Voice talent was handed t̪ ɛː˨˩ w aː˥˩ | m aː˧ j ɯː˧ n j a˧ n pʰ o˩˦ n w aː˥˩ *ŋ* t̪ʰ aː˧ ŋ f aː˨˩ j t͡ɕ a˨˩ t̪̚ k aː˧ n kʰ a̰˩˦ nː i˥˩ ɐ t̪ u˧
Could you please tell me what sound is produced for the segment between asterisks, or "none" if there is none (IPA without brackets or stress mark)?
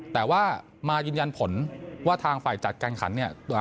none